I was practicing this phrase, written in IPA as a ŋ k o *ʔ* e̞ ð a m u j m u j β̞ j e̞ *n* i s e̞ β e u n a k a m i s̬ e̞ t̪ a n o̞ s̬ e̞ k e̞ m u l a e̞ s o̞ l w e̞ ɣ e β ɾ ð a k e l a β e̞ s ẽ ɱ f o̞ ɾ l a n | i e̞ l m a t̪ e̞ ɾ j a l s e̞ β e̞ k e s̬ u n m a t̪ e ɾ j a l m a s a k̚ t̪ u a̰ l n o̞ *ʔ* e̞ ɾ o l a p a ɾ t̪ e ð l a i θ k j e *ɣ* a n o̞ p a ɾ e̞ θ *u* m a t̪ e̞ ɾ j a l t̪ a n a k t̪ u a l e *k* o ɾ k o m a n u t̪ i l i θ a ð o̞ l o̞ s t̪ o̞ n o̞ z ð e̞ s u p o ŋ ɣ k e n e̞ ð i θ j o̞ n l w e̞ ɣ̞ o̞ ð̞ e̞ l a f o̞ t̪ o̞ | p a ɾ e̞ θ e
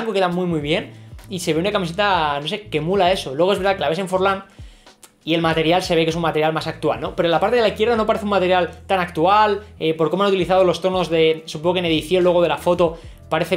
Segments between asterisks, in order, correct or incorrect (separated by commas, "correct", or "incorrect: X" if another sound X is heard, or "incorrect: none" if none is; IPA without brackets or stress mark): incorrect: k, correct, incorrect: p, incorrect: ð, correct, incorrect: p